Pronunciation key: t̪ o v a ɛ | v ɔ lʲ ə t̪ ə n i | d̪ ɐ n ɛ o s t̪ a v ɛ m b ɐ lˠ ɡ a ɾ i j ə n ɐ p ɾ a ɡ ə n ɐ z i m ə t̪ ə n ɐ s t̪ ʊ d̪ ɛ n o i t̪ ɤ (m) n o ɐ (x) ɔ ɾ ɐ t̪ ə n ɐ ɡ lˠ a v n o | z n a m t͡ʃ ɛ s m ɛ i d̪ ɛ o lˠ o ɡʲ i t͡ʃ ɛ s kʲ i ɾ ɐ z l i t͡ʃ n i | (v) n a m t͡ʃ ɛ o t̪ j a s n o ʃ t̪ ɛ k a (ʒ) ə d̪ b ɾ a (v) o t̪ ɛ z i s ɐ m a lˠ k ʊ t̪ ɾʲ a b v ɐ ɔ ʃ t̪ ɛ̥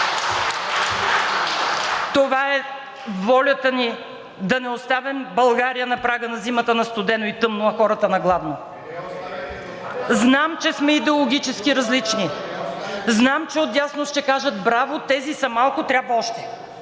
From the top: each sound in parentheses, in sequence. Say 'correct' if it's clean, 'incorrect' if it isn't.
correct, correct, incorrect: z, correct, correct

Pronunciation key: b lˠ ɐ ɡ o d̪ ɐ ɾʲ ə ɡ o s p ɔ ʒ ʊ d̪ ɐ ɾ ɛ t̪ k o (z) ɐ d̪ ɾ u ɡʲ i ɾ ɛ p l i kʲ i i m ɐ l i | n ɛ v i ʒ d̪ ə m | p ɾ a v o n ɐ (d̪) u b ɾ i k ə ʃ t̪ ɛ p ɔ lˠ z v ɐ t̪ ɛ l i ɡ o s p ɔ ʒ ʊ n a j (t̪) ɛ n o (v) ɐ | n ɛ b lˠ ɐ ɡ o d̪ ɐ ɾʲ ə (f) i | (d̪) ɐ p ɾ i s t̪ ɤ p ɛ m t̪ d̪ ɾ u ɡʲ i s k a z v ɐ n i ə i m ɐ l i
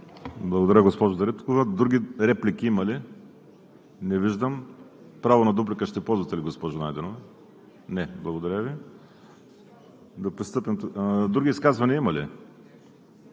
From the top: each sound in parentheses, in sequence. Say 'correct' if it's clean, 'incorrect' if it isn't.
incorrect: v, correct, incorrect: d̪, correct, incorrect: v, correct

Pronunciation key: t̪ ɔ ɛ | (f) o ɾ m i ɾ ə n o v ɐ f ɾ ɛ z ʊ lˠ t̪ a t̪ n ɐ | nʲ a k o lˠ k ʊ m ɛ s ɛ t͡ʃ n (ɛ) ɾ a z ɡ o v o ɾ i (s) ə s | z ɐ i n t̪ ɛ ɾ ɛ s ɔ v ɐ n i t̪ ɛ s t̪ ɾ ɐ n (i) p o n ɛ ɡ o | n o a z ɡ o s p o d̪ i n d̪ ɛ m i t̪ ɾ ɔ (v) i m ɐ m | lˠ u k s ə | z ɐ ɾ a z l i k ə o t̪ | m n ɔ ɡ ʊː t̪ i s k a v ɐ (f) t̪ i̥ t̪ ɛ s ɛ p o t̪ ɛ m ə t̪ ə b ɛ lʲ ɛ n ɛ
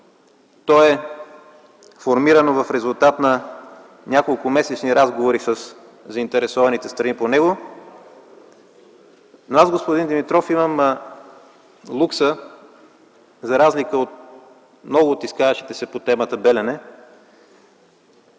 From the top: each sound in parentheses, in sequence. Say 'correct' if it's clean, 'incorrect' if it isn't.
correct, incorrect: i, correct, correct, incorrect: f, incorrect: ʃ

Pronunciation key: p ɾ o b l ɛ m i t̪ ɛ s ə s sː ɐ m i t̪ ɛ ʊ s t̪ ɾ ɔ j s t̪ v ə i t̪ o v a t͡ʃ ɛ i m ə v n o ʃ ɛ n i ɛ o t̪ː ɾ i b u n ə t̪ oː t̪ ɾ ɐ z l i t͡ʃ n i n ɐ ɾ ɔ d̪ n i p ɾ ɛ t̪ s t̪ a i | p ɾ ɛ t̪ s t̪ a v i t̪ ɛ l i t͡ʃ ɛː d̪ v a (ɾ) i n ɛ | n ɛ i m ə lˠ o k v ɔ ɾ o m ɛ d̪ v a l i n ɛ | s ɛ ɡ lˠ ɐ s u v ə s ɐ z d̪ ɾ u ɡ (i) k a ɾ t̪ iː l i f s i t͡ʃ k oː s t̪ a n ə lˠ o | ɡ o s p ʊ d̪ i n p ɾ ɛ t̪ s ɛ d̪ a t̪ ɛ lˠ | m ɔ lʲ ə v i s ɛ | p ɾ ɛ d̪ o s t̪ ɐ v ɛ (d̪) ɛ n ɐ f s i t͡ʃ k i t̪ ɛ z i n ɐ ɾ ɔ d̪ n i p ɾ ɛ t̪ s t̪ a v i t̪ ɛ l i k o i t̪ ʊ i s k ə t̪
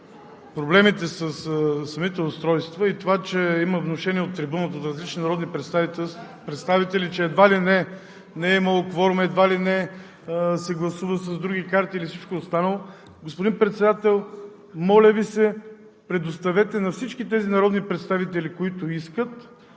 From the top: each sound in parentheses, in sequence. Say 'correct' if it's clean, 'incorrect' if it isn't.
incorrect: l, correct, incorrect: t̪

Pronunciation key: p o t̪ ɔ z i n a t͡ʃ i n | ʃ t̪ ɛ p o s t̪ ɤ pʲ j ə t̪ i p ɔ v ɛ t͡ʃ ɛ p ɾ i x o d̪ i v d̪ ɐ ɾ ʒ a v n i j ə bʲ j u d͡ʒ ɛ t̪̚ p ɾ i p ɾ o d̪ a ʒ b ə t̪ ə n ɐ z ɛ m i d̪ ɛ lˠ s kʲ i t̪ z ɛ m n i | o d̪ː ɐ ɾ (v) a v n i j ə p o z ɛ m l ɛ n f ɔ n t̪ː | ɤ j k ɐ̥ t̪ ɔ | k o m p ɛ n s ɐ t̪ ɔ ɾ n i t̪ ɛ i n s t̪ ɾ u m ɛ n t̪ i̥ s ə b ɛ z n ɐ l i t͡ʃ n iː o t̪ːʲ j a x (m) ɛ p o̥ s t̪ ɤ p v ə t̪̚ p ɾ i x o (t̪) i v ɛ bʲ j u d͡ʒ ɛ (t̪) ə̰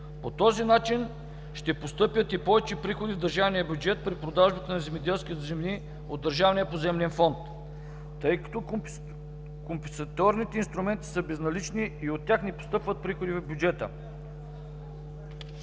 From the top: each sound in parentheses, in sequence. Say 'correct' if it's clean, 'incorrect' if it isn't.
incorrect: ʒ, incorrect: n, incorrect: d̪, correct

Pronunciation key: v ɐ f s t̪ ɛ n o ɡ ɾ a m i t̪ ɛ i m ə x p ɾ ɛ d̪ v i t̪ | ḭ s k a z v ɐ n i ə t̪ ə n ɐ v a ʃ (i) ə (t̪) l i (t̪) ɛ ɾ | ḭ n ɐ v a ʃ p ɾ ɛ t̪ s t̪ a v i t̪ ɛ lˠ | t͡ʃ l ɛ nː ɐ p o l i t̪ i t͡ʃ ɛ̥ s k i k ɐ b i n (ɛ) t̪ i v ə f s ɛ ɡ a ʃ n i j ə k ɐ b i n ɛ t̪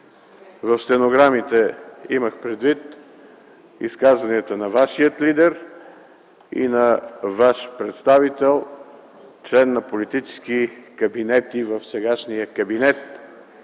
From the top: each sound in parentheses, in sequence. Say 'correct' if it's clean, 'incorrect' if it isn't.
correct, correct, incorrect: d̪, correct

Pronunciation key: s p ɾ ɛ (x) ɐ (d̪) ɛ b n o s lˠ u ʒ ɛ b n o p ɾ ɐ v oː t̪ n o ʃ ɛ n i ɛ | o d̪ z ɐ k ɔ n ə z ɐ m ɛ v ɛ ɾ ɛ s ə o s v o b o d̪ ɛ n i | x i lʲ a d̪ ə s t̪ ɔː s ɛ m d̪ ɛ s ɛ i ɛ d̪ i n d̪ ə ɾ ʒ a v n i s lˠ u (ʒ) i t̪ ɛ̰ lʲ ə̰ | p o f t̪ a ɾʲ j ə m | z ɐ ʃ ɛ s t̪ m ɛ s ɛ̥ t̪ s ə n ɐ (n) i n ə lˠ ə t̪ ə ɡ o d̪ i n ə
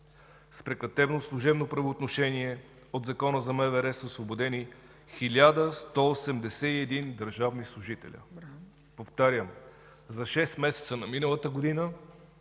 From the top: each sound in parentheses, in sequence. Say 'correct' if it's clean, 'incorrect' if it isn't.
incorrect: k, incorrect: t̪, correct, incorrect: m

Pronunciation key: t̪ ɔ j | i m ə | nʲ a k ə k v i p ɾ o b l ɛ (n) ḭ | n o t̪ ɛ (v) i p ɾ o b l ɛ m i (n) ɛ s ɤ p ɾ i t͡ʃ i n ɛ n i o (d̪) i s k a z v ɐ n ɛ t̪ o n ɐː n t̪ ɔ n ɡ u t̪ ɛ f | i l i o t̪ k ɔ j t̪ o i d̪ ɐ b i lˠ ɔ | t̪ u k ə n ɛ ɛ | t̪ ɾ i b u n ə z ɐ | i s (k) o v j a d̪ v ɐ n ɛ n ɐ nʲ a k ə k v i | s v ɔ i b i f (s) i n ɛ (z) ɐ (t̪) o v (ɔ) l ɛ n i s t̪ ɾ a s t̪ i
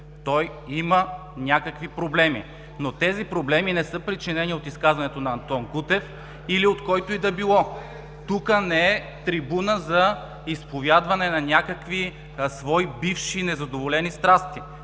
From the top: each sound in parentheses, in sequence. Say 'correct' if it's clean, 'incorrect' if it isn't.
incorrect: m, incorrect: z, correct, incorrect: t̪, incorrect: p, incorrect: ʃ, correct, incorrect: d̪, incorrect: o

